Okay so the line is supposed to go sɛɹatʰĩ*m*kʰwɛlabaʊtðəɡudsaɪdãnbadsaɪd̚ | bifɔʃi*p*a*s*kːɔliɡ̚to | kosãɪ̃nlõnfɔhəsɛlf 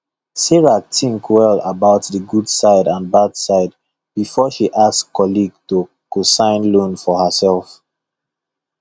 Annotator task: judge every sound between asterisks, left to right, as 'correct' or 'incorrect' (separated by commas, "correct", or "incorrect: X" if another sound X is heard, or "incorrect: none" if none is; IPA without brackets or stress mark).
incorrect: ŋ, incorrect: ʔ, correct